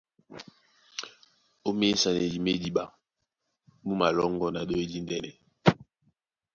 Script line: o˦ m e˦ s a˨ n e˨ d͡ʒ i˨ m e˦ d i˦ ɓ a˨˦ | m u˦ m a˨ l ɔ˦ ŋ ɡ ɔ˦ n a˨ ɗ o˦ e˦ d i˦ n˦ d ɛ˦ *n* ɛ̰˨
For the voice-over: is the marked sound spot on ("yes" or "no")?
yes